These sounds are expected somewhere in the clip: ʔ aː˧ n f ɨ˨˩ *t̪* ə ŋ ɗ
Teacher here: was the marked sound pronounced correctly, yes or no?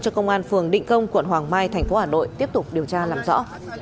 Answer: no